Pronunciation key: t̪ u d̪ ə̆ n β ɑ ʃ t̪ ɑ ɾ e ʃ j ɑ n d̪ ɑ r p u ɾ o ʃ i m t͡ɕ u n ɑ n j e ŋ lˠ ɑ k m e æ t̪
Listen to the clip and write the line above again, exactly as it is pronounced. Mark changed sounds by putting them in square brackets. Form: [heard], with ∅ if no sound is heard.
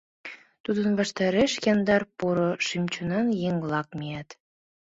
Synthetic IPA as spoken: t̪ u d̪ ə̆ n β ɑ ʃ t̪ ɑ ɾ e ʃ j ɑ n d̪ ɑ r p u ɾ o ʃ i m t͡ɕ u n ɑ n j e ŋ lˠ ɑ k m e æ t̪